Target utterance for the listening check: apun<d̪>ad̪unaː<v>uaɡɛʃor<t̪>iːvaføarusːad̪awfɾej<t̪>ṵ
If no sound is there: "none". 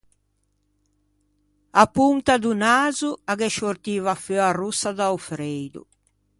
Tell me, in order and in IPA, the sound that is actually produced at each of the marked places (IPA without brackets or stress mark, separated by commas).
t̪, z, t̪, d̪